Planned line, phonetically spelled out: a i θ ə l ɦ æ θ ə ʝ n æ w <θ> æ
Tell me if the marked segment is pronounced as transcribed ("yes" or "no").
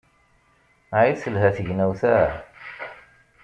yes